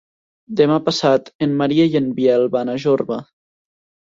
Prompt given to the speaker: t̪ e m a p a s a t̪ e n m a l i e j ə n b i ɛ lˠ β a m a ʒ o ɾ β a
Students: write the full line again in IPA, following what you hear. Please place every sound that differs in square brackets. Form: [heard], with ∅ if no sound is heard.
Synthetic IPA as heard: [d̪] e m a p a s a t̪ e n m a [ɾ] i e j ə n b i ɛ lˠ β a [n] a ʒ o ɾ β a